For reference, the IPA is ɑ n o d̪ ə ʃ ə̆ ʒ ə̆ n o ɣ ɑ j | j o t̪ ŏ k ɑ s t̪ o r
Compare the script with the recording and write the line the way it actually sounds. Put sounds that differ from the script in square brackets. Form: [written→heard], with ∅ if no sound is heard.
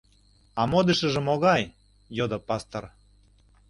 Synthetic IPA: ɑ [n→m] o d̪ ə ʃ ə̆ ʒ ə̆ [n→m] o ɣ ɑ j | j o [t̪→d̪] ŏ [k→p] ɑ s t̪ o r